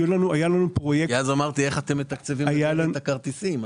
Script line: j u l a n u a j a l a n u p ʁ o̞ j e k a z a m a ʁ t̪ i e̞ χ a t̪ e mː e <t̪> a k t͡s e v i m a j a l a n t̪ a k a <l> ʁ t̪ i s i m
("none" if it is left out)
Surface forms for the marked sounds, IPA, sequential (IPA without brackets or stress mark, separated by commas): t̪, none